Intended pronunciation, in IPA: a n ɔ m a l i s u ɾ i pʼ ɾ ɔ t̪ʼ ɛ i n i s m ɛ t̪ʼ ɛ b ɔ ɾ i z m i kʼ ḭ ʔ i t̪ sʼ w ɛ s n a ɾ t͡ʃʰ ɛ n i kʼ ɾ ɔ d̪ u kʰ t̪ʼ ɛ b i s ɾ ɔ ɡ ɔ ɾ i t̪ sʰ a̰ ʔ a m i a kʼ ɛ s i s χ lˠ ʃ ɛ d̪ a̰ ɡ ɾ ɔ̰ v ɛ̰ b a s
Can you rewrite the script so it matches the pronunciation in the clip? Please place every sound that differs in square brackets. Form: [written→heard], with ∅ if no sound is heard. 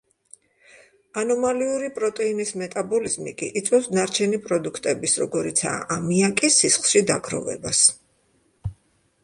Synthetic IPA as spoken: a n ɔ m a l i [s→∅] u ɾ i pʼ ɾ ɔ t̪ʼ ɛ i n i s m ɛ t̪ʼ [ɛ→a] b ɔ [ɾ→l] i z m i kʼ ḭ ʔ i t̪ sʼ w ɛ s n a ɾ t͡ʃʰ ɛ n i [kʼ→pʼ] ɾ ɔ d̪ u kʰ t̪ʼ ɛ b i s ɾ ɔ ɡ ɔ ɾ i t̪ sʰ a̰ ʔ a m i a kʼ [ɛ→i] s i s χ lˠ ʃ [ɛ→i] d̪ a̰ ɡ ɾ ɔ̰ v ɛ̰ b a s

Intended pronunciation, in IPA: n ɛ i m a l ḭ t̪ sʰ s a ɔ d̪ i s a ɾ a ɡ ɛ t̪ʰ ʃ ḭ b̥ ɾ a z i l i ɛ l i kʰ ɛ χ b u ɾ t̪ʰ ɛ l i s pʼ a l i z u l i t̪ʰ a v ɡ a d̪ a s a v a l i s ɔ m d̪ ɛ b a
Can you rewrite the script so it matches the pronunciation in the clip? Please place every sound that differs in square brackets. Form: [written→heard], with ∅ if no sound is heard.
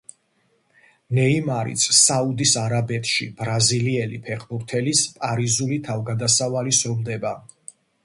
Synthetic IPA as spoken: n ɛ i m a [l→ɾ] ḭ t̪ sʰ s a [ɔ→u] d̪ i s a ɾ a [ɡ→b] ɛ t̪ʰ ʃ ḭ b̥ ɾ a z i l i ɛ l i [kʰ→pʰ] ɛ χ b u ɾ t̪ʰ ɛ l i s pʼ a [l→ɾ] i z u l i t̪ʰ a v ɡ a d̪ a s a v a l i s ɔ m d̪ ɛ b a

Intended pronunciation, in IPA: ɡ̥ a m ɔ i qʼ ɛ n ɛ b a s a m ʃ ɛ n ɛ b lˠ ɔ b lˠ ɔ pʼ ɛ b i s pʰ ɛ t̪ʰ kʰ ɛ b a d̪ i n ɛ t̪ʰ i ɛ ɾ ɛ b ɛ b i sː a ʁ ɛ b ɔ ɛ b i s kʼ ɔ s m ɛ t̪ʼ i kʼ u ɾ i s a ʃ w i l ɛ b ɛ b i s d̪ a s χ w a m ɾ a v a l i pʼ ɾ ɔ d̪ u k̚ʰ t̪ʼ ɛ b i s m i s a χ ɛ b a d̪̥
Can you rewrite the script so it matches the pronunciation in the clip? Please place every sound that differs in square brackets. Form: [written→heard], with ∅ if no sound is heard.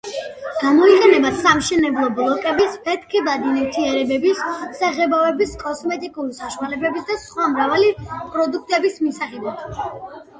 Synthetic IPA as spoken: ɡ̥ a m ɔ i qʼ ɛ n ɛ b a s a m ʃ ɛ n ɛ b lˠ ɔ b lˠ ɔ [pʼ→kʼ] ɛ b i s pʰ ɛ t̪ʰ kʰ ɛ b a d̪ i n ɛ t̪ʰ i ɛ ɾ ɛ b ɛ b i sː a ʁ ɛ b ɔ ɛ b i s kʼ ɔ s m ɛ t̪ʼ i kʼ u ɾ i s a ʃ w [i→a] l ɛ b ɛ b i s d̪ a s χ w a m ɾ a v a l i pʼ ɾ ɔ d̪ u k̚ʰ t̪ʼ ɛ b i s m i s a χ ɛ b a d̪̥

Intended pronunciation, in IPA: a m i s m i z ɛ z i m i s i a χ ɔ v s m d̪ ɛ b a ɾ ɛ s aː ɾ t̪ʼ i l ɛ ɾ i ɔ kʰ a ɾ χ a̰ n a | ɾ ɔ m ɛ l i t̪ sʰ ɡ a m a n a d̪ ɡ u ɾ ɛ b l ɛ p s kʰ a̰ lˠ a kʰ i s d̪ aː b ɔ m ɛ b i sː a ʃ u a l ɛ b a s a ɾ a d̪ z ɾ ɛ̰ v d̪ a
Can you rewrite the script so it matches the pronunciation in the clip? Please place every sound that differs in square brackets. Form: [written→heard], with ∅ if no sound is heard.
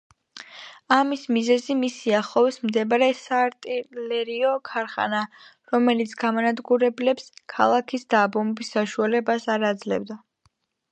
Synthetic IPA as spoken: a m i s m i z ɛ z i m i s i a χ ɔ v s m d̪ ɛ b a ɾ ɛ s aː ɾ t̪ʼ i l ɛ ɾ i ɔ kʰ a ɾ χ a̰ n a | ɾ ɔ m ɛ l i t̪ sʰ ɡ a m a n a d̪ ɡ u ɾ ɛ b l ɛ p s kʰ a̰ lˠ a kʰ i s d̪ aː b ɔ m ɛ b i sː a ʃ u a l ɛ b a s a ɾ a d̪ z [ɾ→l] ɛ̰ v d̪ a

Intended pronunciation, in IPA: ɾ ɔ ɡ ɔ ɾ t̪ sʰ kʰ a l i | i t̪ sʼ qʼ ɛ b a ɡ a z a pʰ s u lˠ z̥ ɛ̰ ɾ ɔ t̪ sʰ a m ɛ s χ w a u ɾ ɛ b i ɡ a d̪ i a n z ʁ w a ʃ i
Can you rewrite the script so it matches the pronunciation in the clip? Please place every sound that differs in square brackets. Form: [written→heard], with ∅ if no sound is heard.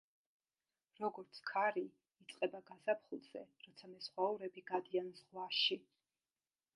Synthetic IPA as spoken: ɾ ɔ ɡ ɔ ɾ t̪ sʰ kʰ a [l→ɾ] i | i t̪ sʼ qʼ ɛ b a ɡ a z a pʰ [s→χ] u lˠ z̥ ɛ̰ ɾ ɔ t̪ sʰ a m ɛ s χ w a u ɾ ɛ b i ɡ a d̪ i a n z ʁ w a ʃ i

